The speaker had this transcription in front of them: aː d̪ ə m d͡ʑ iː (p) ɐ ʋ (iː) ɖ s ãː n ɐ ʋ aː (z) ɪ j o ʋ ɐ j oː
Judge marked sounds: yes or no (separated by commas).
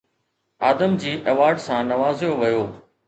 no, no, yes